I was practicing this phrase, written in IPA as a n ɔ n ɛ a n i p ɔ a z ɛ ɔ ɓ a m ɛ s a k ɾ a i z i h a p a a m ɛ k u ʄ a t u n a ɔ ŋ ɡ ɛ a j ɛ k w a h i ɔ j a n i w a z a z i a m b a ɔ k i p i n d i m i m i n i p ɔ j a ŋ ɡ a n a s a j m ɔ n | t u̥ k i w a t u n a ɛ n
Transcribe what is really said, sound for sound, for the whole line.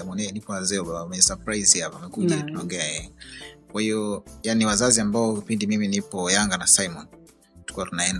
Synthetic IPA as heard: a m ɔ n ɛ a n i p ɔ a z ɛ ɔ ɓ a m ɛ s a p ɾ a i z i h a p a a m ɛ k u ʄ a t u n a ɔ ŋ ɡ ɛ a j ɛ k w a h i ɔ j a n i w a z a z i a m b a ɔ k i p i n d i m i m i n i p ɔ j a ŋ ɡ a n a s a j m ɔ n | t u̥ k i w a t u n a ɛ n